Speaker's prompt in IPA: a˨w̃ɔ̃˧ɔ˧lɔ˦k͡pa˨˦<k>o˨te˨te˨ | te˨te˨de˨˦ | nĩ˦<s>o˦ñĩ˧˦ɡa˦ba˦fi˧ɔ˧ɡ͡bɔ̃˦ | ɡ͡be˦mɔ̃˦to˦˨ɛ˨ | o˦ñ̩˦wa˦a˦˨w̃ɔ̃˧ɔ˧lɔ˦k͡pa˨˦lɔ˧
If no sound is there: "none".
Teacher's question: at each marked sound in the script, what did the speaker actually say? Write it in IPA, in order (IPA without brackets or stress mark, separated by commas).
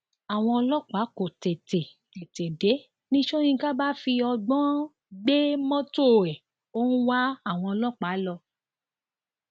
k, ʃ